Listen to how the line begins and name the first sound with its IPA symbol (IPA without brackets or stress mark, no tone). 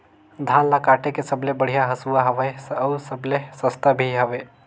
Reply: d̪ʱ